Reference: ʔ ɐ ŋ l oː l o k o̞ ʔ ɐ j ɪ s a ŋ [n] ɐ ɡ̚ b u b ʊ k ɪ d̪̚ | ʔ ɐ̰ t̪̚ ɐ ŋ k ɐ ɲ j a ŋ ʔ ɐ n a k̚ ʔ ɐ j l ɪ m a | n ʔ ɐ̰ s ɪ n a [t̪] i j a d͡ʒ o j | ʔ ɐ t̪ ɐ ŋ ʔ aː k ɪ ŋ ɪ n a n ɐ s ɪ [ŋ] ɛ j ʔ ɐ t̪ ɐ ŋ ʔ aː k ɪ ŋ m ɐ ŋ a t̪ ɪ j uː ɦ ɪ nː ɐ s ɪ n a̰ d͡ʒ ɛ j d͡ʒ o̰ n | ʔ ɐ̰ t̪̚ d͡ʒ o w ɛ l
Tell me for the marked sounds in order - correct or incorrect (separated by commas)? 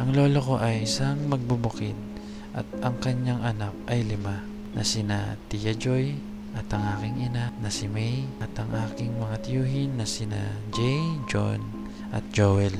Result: incorrect, correct, incorrect